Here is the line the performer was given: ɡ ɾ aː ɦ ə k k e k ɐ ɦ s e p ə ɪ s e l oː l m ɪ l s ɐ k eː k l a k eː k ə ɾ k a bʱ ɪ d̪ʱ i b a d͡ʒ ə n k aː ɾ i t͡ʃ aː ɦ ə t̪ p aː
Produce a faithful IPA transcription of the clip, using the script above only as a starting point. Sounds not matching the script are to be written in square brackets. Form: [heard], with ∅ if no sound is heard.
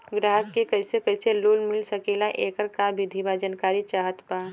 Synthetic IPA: ɡ ɾ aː ɦ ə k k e k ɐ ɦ s e [k] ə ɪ s e l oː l m ɪ l s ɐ k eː [∅] l a [ʔ] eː k ə ɾ k a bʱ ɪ d̪ʱ i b a d͡ʒ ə n k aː ɾ i t͡ʃ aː ɦ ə t̪ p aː